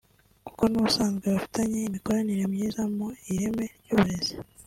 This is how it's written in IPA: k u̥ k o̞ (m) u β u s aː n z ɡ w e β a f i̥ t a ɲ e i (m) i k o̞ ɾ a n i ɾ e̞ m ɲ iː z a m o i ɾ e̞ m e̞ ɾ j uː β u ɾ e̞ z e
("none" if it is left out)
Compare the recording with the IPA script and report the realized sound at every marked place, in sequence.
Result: n, m

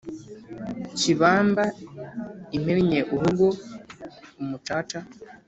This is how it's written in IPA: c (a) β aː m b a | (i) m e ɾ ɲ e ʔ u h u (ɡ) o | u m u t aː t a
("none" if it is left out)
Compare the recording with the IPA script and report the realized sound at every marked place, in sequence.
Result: i, i, ɡ

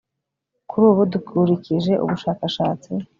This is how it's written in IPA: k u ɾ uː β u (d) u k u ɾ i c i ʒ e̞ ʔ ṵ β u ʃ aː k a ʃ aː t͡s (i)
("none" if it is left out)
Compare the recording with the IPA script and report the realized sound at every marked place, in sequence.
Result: d, i

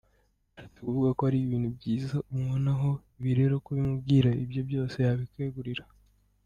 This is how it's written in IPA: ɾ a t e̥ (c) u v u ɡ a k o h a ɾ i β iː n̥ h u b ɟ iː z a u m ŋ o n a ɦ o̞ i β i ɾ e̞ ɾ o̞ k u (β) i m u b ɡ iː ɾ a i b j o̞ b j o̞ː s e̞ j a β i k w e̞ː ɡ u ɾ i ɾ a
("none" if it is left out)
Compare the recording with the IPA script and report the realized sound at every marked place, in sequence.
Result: k, β

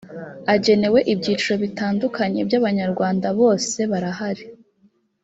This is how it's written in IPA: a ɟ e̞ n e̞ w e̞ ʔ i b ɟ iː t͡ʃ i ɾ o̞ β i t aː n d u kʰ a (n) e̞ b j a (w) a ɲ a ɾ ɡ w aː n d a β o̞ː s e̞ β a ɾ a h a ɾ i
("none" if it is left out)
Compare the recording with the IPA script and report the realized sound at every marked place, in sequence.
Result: ɲ, β

